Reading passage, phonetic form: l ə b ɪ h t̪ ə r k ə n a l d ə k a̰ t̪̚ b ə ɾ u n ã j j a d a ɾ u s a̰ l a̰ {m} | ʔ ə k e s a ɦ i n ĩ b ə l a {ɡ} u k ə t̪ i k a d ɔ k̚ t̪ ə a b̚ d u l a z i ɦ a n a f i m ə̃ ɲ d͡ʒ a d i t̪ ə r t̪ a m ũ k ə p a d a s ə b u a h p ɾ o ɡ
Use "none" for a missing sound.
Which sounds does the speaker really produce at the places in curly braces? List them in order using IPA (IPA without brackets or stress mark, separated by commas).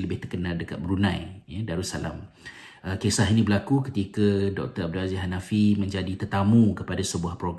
m, k